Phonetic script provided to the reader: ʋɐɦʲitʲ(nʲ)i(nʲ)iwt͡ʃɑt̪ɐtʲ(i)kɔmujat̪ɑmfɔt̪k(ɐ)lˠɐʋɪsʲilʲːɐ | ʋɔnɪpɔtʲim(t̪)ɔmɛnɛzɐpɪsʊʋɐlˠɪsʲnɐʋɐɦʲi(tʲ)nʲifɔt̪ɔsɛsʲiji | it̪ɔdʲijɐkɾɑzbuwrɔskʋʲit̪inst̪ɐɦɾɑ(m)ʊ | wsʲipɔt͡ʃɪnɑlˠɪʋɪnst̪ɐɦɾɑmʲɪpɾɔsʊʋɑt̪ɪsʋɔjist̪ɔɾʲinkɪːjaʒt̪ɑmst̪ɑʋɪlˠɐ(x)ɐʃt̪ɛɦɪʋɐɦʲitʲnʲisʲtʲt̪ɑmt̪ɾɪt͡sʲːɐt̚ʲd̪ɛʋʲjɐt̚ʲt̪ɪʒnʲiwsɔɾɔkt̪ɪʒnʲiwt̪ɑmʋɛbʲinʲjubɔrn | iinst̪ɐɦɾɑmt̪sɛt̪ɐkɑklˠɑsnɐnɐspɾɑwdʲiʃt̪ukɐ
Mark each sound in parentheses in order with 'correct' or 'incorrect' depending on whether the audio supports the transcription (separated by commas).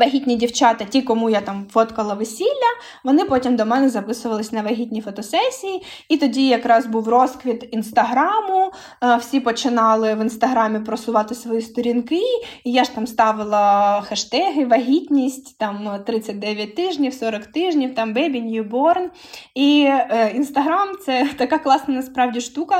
correct, incorrect, correct, correct, incorrect, correct, correct, correct